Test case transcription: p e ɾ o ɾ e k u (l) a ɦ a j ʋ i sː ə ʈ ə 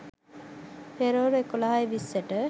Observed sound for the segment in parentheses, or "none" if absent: l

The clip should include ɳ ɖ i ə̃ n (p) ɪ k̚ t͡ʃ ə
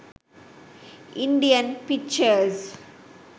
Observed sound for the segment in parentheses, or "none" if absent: p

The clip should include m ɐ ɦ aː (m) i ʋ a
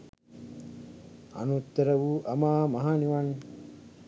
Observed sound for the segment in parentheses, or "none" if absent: n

